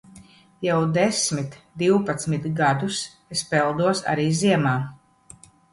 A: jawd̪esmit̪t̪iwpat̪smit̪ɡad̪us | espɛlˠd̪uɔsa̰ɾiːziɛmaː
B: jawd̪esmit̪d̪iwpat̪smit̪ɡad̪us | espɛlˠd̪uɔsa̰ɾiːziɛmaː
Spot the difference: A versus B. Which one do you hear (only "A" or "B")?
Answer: B